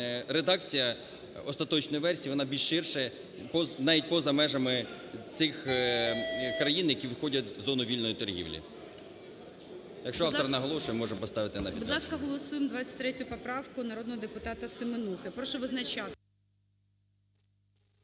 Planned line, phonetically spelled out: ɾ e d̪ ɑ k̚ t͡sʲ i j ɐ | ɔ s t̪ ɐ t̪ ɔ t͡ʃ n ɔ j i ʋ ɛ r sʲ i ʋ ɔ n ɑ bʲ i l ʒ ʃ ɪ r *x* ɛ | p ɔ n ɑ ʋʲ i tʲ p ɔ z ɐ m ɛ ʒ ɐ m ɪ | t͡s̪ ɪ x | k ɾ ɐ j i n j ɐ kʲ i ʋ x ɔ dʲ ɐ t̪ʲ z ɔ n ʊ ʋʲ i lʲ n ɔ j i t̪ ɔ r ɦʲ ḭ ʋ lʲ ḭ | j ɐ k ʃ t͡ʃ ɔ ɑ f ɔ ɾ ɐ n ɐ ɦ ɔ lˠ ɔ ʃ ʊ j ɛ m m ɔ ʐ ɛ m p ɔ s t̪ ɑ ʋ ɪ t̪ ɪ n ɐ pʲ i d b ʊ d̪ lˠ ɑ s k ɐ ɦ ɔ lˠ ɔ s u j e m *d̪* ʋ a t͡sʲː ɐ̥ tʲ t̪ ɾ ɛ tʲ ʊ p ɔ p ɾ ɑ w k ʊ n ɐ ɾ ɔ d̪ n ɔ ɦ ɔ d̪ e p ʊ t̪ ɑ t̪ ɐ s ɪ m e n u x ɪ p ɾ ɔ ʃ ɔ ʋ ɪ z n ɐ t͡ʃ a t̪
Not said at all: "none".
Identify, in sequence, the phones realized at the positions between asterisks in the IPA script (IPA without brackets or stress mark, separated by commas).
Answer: ʃ, d̪